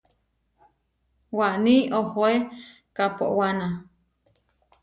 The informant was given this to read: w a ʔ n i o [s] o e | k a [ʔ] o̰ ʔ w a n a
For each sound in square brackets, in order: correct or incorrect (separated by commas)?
incorrect, incorrect